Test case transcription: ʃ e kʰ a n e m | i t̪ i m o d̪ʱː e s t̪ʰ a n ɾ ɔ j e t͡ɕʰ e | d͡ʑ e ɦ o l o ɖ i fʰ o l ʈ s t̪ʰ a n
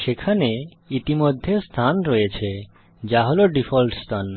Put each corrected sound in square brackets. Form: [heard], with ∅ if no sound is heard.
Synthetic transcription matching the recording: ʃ e kʰ a n e [∅] | i t̪ i m o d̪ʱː e s t̪ʰ a n ɾ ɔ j e t͡ɕʰ e | d͡ʑ [a] ɦ o l o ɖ i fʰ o l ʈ s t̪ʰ a n